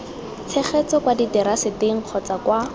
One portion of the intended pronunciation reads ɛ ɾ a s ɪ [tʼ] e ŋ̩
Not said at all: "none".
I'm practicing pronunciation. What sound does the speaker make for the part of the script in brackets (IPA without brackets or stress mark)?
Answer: t